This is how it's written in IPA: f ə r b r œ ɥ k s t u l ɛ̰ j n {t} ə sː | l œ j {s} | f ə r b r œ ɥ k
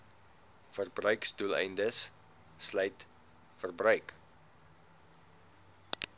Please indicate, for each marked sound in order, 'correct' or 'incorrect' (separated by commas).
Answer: incorrect, incorrect